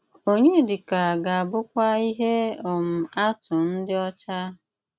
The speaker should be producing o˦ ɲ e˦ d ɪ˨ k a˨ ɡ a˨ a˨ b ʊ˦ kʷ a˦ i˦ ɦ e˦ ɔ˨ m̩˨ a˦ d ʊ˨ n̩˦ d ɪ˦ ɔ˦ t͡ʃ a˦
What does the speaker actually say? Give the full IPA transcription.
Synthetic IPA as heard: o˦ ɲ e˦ d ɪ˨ k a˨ ɡ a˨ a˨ b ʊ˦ kʷ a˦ i˦ ɦ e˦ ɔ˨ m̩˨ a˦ t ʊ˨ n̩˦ d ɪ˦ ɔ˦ t͡ʃ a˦